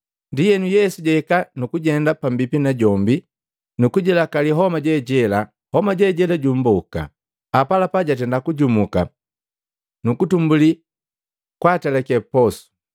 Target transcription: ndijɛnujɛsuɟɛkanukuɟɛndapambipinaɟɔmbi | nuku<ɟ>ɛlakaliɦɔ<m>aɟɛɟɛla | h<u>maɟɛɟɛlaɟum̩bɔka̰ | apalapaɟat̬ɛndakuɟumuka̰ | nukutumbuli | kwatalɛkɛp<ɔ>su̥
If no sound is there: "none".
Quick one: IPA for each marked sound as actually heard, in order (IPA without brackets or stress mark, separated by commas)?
ɟ, m, ɔ, ɔ